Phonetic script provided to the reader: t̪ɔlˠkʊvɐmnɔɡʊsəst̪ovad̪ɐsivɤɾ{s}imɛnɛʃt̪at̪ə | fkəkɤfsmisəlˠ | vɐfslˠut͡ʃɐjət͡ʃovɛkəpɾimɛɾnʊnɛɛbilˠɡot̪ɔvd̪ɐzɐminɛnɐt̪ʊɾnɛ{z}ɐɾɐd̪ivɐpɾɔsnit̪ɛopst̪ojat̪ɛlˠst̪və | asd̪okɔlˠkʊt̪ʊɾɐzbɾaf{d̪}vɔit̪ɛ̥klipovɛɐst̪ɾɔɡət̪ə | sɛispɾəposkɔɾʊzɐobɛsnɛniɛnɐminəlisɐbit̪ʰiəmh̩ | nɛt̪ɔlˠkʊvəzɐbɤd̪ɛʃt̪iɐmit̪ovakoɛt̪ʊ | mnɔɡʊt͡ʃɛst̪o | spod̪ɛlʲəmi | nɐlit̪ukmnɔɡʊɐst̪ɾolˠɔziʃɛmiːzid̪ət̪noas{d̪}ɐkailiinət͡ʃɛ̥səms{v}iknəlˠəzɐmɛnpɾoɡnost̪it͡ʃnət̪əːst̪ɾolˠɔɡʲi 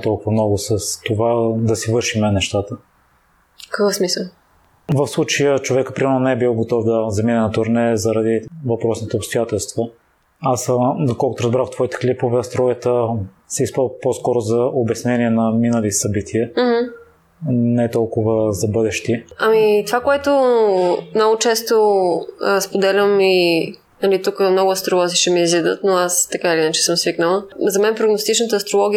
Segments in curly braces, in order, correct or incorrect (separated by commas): incorrect, correct, incorrect, incorrect, correct